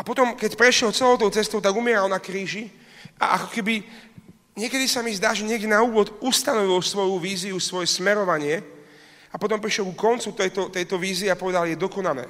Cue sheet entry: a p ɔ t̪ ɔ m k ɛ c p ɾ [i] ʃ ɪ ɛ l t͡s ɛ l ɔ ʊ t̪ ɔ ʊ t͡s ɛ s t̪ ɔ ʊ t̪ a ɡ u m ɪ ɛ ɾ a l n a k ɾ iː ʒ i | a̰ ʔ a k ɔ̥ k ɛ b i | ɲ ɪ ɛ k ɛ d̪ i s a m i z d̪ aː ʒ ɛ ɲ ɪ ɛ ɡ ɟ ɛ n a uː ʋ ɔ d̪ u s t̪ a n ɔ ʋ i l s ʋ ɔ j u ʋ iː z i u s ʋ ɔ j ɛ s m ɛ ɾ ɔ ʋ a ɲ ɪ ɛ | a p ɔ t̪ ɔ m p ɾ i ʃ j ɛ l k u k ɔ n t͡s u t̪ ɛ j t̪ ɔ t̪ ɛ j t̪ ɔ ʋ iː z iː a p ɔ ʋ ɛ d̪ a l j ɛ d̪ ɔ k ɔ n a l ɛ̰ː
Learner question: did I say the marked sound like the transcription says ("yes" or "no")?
no